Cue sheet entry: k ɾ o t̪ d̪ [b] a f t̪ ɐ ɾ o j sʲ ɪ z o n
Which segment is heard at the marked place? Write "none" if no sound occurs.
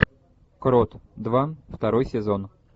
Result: v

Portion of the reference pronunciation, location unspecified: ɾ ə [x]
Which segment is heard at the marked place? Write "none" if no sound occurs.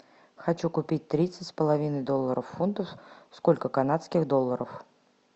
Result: f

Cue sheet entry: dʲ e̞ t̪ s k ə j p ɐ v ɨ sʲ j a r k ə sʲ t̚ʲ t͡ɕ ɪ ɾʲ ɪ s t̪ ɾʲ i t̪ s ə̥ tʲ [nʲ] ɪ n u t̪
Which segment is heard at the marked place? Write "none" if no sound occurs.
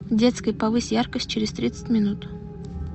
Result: mʲ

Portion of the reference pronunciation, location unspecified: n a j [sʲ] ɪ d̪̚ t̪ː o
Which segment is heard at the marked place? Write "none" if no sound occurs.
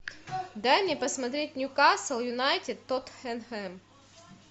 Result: tʲ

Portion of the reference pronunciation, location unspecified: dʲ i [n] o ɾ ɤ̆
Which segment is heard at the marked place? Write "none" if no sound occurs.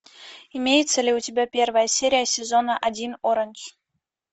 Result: n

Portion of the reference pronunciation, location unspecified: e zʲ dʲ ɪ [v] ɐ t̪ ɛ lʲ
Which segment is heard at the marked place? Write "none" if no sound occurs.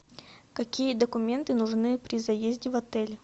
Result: v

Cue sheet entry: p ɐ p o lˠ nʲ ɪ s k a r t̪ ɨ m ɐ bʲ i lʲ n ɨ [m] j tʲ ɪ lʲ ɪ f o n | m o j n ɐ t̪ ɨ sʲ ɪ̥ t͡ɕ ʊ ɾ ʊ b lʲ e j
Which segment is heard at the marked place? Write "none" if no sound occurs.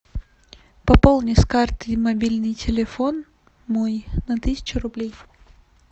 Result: none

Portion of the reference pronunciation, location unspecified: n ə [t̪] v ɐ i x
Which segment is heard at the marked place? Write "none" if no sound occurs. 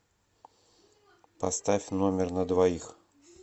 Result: d̪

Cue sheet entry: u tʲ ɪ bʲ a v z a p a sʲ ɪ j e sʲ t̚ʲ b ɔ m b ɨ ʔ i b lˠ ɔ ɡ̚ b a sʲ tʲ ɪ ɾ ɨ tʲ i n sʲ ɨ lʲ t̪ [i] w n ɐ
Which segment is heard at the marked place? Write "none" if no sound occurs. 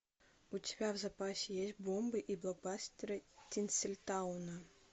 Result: a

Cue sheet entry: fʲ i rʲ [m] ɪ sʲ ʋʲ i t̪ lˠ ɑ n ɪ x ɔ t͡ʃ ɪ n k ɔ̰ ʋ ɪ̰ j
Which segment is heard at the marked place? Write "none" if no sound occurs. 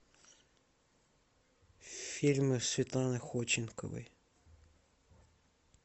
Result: m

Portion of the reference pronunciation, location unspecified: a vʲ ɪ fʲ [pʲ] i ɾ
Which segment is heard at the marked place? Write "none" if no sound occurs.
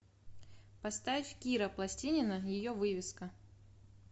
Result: kʲ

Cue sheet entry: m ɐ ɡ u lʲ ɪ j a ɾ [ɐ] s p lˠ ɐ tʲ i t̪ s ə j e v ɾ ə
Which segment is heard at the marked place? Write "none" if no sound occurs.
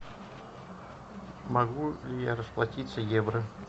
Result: ə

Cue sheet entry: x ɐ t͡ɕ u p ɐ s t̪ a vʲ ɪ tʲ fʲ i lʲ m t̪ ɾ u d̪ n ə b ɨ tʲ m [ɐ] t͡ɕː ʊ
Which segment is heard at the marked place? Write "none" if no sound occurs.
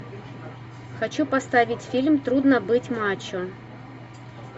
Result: a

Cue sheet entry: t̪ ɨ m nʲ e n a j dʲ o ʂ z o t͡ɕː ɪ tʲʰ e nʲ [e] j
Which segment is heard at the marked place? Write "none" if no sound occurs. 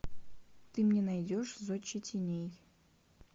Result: e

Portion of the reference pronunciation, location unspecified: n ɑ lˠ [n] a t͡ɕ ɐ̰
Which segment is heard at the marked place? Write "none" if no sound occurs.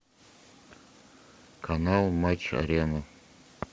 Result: m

